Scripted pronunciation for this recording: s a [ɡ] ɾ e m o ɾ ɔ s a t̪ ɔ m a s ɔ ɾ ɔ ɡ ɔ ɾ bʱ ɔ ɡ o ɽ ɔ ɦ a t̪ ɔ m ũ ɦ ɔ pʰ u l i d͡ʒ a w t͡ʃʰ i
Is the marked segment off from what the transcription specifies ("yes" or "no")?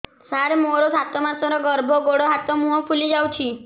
yes